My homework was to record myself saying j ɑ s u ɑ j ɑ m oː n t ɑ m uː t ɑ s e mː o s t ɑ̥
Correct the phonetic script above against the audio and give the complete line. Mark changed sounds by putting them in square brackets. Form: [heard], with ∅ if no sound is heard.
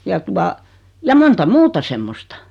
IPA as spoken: j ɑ [t] u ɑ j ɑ m [o] n t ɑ m uː t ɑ s e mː o s t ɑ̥